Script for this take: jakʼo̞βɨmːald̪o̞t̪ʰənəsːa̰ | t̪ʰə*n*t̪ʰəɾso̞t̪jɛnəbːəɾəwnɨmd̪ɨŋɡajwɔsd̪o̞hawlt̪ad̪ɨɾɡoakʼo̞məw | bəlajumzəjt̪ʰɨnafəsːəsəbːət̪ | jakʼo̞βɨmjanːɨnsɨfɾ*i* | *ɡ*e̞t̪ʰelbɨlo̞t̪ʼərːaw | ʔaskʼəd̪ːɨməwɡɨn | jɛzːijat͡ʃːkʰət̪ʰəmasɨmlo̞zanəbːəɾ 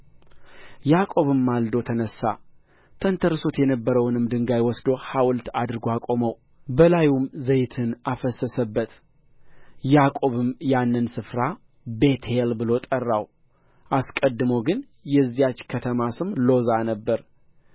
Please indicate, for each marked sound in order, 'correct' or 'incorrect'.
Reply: correct, incorrect, incorrect

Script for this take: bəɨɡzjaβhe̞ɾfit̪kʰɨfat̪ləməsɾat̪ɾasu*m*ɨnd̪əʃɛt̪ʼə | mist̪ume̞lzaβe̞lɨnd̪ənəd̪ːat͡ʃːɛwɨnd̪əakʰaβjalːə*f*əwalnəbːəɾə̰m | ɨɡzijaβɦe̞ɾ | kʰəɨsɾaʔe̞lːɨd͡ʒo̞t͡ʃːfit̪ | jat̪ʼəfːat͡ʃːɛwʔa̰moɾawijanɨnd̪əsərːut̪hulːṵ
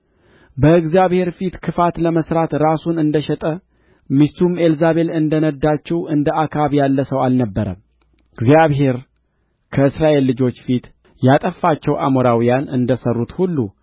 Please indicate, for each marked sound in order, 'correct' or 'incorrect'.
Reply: incorrect, incorrect

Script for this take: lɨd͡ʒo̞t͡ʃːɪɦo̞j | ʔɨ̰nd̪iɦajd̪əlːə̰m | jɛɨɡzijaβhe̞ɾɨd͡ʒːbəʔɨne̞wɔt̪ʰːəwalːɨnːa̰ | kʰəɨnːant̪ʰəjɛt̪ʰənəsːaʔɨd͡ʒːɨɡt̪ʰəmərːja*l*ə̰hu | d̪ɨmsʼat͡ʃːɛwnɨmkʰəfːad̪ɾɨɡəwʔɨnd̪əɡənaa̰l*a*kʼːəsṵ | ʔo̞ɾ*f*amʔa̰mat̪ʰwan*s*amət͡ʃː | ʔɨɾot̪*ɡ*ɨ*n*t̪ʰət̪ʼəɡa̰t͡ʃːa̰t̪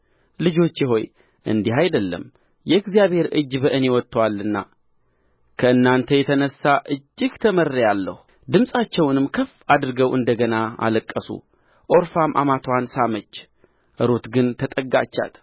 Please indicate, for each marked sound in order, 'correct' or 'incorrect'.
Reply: incorrect, incorrect, correct, correct, correct, correct

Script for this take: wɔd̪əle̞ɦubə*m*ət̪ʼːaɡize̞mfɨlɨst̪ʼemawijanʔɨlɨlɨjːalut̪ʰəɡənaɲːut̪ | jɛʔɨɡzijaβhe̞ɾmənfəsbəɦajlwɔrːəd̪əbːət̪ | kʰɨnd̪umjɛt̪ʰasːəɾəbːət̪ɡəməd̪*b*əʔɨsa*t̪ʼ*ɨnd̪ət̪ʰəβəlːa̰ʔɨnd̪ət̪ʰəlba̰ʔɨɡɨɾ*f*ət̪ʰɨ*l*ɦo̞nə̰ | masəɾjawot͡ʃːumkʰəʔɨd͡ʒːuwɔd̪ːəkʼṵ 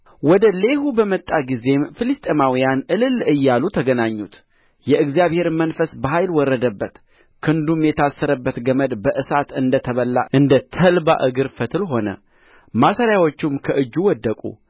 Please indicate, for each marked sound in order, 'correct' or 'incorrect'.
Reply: correct, correct, incorrect, correct, correct

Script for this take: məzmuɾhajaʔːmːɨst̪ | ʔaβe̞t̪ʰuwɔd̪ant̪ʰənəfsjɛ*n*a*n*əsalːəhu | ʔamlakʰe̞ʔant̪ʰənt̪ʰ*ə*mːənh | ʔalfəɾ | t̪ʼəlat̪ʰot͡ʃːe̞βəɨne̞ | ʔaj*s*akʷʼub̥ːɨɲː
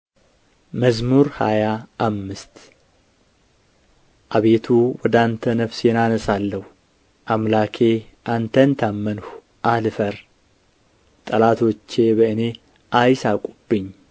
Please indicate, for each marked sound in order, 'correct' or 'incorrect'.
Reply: correct, correct, incorrect, correct

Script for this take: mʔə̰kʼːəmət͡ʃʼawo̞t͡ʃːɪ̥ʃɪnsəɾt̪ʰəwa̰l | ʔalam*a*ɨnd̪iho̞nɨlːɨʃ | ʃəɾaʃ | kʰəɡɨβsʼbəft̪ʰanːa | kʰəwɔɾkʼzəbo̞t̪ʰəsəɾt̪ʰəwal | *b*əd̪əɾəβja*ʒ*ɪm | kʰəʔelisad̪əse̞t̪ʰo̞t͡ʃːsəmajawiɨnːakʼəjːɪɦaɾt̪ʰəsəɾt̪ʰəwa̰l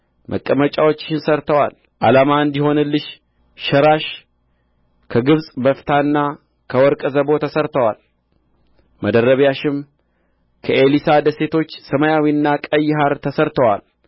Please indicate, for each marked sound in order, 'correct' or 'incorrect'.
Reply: correct, incorrect, incorrect

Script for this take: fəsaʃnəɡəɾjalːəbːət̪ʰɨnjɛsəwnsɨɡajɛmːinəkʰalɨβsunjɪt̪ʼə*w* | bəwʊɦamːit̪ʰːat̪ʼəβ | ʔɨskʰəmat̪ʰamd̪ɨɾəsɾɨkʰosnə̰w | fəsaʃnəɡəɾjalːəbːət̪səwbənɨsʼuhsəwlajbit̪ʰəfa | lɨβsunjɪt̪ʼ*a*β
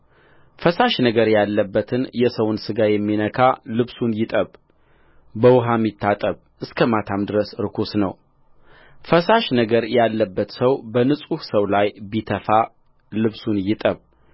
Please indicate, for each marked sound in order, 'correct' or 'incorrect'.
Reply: incorrect, incorrect

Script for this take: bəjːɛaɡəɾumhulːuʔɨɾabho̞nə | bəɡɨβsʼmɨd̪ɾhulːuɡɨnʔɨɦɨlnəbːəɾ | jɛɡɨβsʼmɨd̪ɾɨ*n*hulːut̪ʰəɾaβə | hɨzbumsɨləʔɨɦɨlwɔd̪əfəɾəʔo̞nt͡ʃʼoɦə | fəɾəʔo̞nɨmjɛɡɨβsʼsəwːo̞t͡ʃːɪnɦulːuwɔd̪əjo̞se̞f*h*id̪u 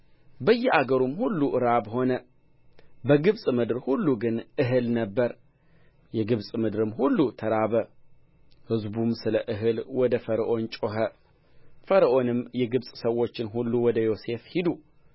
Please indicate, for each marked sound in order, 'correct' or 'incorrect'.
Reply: incorrect, correct

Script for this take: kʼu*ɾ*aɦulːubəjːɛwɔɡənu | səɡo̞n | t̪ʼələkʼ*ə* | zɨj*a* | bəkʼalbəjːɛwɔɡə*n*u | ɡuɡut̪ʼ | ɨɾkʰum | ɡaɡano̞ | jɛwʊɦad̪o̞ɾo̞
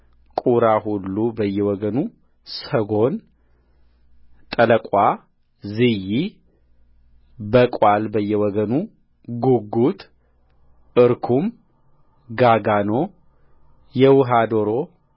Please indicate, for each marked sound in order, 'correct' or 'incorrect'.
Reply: correct, incorrect, incorrect, correct

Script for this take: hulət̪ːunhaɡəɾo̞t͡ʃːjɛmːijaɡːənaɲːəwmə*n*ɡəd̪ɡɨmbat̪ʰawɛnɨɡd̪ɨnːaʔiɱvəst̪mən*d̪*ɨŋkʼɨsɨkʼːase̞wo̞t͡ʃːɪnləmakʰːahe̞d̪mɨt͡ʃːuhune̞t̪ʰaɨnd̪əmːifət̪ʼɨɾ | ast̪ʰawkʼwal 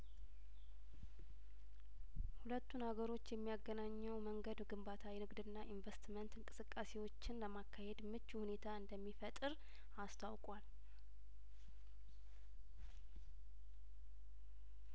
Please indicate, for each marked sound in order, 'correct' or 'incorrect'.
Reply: incorrect, incorrect

